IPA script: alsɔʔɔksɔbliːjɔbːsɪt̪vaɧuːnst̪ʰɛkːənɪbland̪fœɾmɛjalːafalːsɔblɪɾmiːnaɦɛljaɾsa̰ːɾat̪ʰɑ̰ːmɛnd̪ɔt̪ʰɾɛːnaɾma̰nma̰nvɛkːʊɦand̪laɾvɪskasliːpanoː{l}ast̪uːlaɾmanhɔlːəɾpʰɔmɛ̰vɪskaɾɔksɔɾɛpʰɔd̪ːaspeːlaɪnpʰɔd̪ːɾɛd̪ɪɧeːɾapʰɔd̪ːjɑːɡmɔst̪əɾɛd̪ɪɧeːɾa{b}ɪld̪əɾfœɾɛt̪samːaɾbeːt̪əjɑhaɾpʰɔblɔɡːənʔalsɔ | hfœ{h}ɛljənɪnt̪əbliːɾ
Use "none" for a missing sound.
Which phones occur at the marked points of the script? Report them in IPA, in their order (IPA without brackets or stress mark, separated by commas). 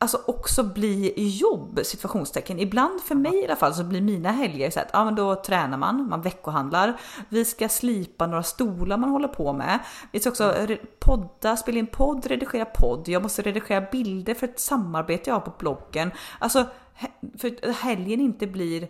ɾ, b, h